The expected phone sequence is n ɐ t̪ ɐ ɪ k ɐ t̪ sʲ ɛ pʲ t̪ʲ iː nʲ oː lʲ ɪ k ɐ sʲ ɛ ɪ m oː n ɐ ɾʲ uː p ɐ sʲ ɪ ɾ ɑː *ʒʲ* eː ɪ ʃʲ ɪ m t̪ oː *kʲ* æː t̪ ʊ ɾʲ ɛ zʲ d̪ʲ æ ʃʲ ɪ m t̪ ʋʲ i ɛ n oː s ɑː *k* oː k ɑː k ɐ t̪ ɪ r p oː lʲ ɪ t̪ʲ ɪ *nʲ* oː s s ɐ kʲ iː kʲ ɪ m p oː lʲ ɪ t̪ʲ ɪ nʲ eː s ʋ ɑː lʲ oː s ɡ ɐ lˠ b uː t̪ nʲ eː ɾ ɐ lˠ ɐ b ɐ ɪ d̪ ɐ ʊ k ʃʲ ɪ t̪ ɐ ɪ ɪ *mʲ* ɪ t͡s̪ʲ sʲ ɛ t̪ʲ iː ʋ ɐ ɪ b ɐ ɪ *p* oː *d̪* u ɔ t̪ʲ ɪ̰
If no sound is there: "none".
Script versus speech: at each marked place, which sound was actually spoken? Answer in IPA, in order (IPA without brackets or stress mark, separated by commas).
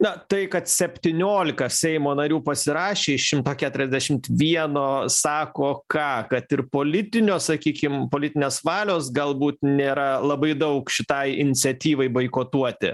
ʃʲ, kʲ, k, nʲ, nʲ, k, t̪